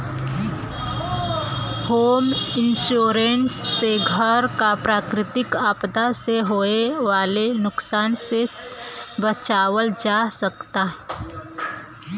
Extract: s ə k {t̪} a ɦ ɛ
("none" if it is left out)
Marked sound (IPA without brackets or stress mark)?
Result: t̪